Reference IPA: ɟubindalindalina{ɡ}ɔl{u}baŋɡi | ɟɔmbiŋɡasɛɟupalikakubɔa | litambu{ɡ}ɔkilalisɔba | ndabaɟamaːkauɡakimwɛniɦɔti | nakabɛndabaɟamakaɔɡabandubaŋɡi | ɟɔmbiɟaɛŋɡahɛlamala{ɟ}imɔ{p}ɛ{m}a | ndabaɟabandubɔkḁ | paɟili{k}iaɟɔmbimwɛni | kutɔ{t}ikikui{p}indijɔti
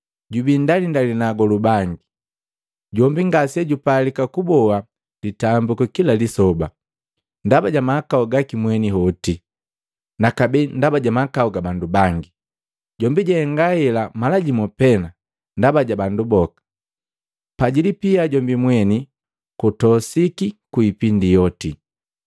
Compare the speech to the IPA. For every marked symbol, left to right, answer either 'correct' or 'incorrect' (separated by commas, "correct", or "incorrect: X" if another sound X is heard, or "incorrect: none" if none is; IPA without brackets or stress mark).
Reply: correct, correct, incorrect: k, correct, correct, incorrect: n, incorrect: p, incorrect: s, correct